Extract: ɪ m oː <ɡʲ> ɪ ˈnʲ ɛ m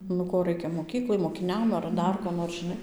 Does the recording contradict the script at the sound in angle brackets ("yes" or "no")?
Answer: yes